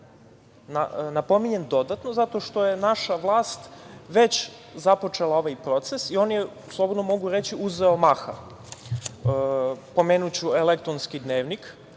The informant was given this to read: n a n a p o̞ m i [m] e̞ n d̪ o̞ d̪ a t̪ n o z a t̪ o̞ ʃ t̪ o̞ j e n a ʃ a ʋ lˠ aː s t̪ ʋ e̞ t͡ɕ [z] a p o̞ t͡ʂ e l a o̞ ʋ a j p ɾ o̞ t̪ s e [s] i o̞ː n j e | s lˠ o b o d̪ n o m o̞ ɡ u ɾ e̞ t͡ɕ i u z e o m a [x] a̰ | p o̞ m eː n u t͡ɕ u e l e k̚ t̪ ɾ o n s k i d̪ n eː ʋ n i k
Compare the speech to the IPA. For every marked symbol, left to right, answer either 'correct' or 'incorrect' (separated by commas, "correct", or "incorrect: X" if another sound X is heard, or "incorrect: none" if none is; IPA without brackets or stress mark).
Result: incorrect: ɲ, correct, correct, correct